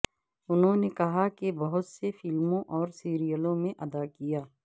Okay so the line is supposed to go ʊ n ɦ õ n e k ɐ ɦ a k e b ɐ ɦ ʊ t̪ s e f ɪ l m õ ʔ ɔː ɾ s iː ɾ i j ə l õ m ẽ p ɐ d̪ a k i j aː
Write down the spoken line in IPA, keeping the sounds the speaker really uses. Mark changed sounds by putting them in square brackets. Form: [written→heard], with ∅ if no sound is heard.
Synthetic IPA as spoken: ʊ n ɦ õ n e k ɐ ɦ a k e b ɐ ɦ ʊ t̪ s e f ɪ l m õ ʔ ɔː ɾ s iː ɾ i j ə l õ m ẽ [p→ʔ] ɐ d̪ a k i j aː

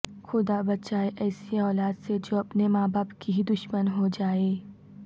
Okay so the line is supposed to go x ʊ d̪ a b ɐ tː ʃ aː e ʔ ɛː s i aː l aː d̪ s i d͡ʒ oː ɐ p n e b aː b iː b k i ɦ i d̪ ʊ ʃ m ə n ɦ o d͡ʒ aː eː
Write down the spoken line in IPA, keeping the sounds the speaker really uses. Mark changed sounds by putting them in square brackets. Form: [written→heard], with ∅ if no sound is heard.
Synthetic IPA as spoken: x ʊ d̪ a b ɐ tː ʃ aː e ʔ ɛː s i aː l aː d̪ s [i→e] d͡ʒ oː ɐ p n e [b→m] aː b [iː→aː] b k i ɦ i d̪ ʊ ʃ m ə n ɦ o d͡ʒ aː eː

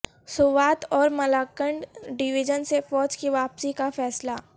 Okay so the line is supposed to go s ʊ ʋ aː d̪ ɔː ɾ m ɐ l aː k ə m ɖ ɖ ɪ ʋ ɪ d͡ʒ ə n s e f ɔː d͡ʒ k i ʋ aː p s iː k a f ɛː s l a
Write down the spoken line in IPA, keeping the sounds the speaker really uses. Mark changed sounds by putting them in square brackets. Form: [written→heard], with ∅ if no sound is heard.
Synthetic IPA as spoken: s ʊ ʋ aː [d̪→t̪] ɔː ɾ m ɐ l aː k ə [m→ɳ] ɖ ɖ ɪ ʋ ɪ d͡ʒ ə n s e f ɔː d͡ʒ k i ʋ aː p s [iː→i] k a f ɛː s l a

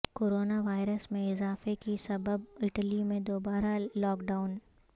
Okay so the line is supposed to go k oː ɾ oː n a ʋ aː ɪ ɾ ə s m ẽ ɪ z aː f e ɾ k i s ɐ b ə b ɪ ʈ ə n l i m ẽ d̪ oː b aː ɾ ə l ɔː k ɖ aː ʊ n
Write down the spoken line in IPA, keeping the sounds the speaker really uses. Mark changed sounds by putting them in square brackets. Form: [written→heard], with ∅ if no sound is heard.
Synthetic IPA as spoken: k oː ɾ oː n a ʋ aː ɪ ɾ ə s m ẽ ɪ z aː f e [ɾ→∅] k i s ɐ b ə b ɪ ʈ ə [n→∅] l i m ẽ d̪ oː b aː ɾ [ə→a] l ɔː k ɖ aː ʊ n

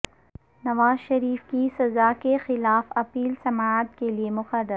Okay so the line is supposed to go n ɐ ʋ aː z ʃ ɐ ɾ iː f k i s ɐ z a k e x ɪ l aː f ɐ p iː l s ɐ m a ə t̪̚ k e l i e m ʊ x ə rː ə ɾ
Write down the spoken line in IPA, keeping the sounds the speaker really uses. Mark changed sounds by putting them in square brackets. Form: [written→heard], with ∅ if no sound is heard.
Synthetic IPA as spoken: n ɐ ʋ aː z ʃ ɐ ɾ iː f k i s ɐ z a k e x ɪ l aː f ɐ p iː l s ɐ m a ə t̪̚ k e l i e m ʊ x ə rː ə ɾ

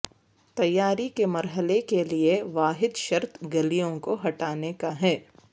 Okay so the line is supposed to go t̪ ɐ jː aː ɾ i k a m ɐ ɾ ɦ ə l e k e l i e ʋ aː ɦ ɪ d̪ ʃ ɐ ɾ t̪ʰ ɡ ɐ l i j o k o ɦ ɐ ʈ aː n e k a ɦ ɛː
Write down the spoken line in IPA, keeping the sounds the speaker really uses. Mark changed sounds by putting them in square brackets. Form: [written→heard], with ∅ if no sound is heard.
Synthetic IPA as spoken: t̪ ɐ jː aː ɾ i k [a→e] m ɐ ɾ ɦ ə l e k e l i e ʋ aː ɦ ɪ d̪ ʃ ɐ ɾ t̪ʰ ɡ ɐ l i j [o→õ] k o ɦ ɐ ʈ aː n e k a ɦ ɛː

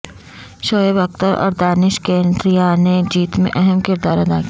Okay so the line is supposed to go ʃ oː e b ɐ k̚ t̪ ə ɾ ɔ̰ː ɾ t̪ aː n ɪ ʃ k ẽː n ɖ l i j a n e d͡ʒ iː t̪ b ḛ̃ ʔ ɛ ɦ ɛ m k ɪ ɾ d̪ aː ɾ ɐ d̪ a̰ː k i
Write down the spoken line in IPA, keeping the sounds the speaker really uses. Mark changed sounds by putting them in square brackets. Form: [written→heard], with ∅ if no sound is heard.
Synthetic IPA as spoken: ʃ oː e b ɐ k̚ t̪ ə ɾ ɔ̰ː ɾ [t̪→d̪] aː n ɪ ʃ k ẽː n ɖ [l→ɾ] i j a n e d͡ʒ iː t̪ [b→m] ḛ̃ ʔ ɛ ɦ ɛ m k ɪ ɾ d̪ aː ɾ ɐ d̪ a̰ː k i

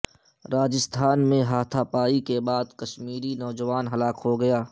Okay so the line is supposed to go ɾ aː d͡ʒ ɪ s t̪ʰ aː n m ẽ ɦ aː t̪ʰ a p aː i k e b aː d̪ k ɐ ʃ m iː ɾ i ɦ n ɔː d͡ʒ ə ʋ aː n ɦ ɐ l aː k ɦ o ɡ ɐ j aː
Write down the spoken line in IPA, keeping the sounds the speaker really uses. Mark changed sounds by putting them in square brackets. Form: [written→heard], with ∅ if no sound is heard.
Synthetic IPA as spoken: ɾ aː d͡ʒ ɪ s t̪ʰ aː n m ẽ ɦ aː t̪ʰ a p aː i k e b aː d̪ k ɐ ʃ m iː ɾ i [ɦ→∅] n ɔː d͡ʒ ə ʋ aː n ɦ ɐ l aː k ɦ o ɡ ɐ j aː

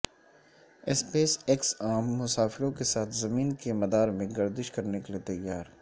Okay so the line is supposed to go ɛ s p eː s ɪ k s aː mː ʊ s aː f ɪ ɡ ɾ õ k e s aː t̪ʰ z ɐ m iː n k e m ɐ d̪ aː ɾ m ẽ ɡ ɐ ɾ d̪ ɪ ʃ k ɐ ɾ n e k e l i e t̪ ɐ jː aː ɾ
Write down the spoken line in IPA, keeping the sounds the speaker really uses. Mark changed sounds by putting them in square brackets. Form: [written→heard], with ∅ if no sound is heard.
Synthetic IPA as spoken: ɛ s p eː s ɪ k s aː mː ʊ s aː f ɪ [ɡ→∅] ɾ õ k e s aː t̪ʰ z ɐ m iː n k e m ɐ d̪ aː ɾ m ẽ ɡ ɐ ɾ d̪ ɪ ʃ k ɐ ɾ n e k e l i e t̪ ɐ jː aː ɾ

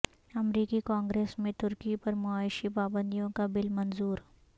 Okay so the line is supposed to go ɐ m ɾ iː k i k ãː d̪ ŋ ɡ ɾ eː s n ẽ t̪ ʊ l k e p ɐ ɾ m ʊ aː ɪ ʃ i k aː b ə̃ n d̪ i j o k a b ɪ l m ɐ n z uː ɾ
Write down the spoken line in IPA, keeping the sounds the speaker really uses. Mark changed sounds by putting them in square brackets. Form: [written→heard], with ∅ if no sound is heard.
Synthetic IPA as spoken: ɐ m ɾ iː k i k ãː [d̪→∅] ŋ ɡ ɾ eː s [n→m] ẽ t̪ ʊ [l→ɾ] k [e→i] p ɐ ɾ m ʊ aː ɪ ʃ i [k→p] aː b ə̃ n d̪ i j [o→õ] k a b ɪ l m ɐ n z uː ɾ

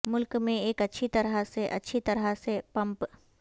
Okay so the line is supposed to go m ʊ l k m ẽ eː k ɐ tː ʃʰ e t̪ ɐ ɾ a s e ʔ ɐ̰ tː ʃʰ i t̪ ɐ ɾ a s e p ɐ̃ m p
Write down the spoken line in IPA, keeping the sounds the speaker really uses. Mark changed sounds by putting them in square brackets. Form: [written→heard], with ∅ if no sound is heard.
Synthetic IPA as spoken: m ʊ l k m ẽ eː k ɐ tː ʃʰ [e→i] t̪ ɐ ɾ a s e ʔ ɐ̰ tː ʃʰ i t̪ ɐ ɾ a s e p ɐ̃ m p

